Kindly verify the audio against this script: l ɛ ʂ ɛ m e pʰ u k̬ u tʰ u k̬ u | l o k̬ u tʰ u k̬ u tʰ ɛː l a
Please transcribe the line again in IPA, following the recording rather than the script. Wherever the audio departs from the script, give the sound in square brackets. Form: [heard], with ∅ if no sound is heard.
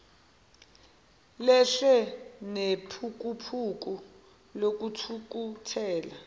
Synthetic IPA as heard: l ɛ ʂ ɛ [n] e pʰ u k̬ u [pʰ] u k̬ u | l o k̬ u tʰ u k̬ u tʰ ɛː l a